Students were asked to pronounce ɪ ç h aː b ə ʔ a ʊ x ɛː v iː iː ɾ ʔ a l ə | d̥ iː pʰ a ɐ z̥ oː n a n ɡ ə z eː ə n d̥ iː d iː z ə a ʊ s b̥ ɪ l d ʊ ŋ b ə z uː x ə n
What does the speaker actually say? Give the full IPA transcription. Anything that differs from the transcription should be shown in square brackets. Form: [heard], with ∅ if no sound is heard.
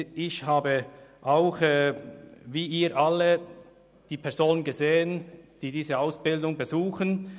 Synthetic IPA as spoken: ɪ ç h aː b ə ʔ a ʊ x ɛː v iː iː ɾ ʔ a l ə | d̥ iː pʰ [ɛ] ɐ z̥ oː n [ə] n ɡ ə z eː ə n d̥ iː d iː z ə a ʊ s b̥ ɪ l d ʊ ŋ b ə z uː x ə n